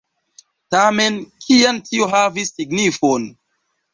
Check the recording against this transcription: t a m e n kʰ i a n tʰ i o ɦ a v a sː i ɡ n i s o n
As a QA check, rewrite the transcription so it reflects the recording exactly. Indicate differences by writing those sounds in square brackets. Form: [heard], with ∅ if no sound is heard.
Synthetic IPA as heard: t a m e n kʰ i a n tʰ i o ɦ a v [i] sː i ɡ n i [f] o n